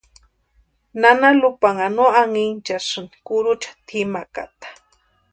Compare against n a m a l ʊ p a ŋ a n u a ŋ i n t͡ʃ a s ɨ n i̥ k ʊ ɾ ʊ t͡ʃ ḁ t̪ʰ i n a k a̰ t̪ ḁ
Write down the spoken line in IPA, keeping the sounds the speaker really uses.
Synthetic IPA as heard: n a n a l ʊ p a ŋ a n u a ŋ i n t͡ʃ a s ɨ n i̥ k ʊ ɾ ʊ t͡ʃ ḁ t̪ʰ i m a k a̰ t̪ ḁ